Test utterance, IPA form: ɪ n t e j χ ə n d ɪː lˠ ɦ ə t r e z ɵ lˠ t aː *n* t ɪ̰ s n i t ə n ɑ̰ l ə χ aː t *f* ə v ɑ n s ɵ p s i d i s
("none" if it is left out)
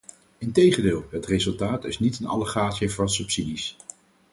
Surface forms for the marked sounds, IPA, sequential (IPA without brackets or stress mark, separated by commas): none, s